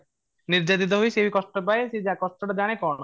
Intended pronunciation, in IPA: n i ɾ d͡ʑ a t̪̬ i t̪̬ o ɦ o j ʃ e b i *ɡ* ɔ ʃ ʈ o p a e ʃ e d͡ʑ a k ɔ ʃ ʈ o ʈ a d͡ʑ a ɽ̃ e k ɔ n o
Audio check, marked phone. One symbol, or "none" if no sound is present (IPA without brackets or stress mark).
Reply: k